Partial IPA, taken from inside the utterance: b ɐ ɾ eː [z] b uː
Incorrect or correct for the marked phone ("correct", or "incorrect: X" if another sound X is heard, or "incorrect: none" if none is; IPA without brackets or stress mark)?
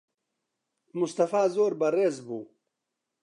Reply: correct